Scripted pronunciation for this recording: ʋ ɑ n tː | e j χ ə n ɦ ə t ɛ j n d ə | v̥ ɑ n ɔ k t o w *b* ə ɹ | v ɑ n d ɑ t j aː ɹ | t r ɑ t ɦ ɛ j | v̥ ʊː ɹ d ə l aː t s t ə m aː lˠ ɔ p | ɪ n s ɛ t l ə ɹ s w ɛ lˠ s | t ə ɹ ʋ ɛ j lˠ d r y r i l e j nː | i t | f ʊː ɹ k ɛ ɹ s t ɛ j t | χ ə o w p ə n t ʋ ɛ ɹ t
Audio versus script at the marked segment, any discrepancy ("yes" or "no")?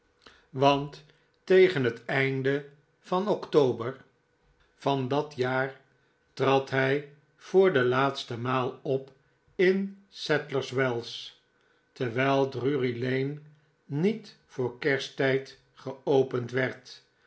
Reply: no